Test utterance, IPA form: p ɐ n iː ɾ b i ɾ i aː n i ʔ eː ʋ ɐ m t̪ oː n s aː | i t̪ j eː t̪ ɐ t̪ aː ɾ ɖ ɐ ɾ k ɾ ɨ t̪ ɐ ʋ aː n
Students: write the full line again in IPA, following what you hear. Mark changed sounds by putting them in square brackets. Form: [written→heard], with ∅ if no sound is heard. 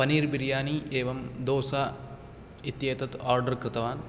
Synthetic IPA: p ɐ n iː ɾ b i ɾ [i→j] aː n i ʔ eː ʋ ɐ m [t̪→d̪] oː [n→∅] s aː | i t̪ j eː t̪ ɐ t̪ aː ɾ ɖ ɐ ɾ k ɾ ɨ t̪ ɐ ʋ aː n